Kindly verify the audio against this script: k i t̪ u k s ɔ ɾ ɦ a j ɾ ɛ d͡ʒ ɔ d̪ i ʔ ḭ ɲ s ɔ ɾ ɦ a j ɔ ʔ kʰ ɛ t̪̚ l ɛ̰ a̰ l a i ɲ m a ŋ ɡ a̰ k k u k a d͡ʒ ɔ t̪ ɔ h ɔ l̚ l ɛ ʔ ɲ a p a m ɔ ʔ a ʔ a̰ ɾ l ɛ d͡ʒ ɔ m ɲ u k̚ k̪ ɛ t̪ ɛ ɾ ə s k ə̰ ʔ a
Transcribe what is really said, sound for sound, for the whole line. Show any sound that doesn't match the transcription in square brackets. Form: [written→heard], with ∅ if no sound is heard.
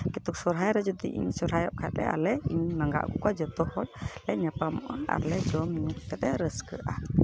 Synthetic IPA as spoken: k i t̪ u k s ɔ ɾ ɦ a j ɾ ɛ d͡ʒ ɔ d̪ i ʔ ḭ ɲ s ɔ ɾ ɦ a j ɔ ʔ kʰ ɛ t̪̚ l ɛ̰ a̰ l [a→ɛ] i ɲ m a ŋ ɡ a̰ [k→ʔ] k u k a d͡ʒ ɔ t̪ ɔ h ɔ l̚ l ɛ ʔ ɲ a p a m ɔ ʔ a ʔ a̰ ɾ l ɛ d͡ʒ ɔ m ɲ u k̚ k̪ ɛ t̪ ɛ ɾ ə s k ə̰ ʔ a